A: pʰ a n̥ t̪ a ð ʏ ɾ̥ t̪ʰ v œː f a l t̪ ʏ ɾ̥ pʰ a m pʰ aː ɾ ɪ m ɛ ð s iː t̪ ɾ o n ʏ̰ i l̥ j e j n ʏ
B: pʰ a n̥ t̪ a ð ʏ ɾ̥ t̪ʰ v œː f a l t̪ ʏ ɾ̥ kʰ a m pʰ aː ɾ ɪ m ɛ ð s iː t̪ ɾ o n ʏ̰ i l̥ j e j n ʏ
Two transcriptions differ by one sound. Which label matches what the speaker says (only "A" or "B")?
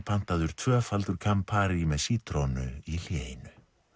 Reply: B